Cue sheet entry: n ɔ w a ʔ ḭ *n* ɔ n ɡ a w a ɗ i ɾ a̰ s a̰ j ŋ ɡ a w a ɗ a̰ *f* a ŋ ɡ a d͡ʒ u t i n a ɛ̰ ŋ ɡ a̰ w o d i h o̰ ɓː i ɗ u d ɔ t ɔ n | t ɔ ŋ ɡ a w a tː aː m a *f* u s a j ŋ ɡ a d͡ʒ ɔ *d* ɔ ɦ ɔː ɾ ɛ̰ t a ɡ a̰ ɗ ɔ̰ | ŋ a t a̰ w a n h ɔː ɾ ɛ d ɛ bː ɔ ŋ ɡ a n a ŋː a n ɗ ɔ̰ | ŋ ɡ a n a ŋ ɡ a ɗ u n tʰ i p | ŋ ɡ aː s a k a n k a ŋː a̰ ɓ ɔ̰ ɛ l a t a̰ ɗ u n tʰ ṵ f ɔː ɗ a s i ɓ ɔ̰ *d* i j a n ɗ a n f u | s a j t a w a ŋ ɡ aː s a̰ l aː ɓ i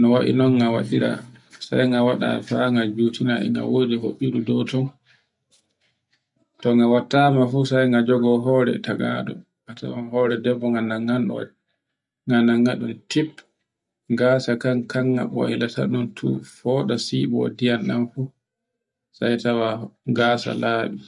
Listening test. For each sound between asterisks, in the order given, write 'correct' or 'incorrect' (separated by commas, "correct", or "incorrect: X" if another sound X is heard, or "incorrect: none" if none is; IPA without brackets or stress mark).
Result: correct, correct, correct, incorrect: ɡ, correct